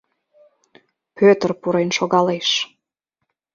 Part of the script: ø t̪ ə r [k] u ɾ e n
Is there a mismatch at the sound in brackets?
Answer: yes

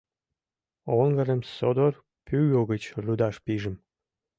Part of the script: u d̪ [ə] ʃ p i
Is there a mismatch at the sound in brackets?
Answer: yes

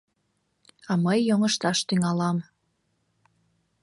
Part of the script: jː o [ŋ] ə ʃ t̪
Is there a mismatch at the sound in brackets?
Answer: no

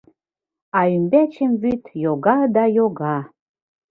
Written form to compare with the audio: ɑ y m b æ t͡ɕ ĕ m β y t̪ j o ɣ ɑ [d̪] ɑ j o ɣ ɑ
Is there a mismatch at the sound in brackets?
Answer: no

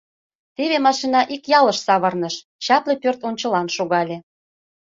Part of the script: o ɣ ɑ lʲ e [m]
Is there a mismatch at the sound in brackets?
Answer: yes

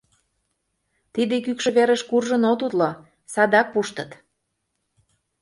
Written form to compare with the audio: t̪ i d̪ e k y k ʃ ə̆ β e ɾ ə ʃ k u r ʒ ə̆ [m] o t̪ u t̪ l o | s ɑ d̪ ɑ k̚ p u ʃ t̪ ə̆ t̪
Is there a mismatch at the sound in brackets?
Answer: yes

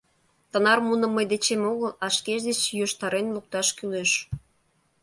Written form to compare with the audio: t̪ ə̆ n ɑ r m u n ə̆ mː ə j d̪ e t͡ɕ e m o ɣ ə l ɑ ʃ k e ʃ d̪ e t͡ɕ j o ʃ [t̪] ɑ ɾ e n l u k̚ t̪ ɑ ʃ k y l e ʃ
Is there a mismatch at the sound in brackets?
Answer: no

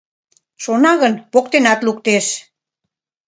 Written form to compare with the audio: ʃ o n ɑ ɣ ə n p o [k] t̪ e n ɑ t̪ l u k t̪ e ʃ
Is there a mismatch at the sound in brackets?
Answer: no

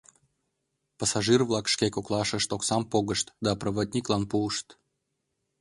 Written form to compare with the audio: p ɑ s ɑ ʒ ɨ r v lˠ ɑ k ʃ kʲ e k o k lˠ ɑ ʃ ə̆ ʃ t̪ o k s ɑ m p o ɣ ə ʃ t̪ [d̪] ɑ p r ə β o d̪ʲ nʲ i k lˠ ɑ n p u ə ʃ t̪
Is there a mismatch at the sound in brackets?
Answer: no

